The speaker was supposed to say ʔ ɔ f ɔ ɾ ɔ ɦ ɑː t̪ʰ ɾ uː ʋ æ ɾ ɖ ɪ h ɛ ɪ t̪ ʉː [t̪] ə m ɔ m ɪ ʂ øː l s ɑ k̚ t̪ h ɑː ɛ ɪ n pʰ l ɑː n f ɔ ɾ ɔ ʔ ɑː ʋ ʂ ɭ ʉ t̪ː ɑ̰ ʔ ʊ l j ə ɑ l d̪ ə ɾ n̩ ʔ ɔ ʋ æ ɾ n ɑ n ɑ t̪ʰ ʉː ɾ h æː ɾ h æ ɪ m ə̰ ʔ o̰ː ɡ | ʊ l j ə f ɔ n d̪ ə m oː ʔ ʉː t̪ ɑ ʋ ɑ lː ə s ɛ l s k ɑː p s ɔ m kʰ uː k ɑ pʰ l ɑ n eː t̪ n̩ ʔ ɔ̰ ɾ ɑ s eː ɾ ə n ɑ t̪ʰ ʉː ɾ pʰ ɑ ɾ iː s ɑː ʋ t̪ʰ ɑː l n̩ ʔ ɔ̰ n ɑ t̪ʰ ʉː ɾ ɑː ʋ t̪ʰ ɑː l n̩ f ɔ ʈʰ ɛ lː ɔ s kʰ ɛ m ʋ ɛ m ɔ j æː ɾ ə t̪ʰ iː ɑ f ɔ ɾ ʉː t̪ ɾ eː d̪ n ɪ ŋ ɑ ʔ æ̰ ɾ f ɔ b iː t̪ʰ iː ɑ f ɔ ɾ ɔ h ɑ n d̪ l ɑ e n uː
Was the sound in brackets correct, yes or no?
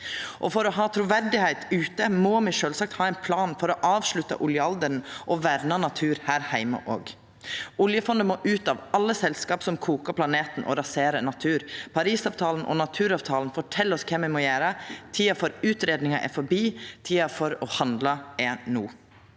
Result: yes